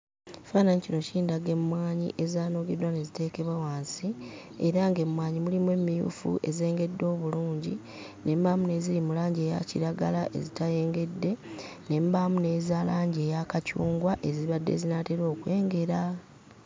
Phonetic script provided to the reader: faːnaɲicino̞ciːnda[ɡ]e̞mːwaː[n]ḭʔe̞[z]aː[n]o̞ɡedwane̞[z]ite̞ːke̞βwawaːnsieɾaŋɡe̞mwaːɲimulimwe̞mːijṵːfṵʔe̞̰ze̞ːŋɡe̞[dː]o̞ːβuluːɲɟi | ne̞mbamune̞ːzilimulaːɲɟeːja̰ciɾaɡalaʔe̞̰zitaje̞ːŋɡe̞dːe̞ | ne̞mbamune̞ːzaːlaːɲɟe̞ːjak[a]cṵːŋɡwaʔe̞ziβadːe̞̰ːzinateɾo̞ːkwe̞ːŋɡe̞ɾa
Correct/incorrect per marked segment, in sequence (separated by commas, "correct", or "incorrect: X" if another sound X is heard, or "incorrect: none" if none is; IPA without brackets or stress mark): correct, incorrect: ɲ, correct, correct, correct, correct, correct